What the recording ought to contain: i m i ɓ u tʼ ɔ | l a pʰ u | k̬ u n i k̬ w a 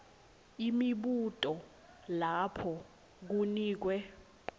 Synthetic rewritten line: i m i ɓ u tʼ ɔ | l a pʰ ɔ | k̬ u n iː k̬ w ɛ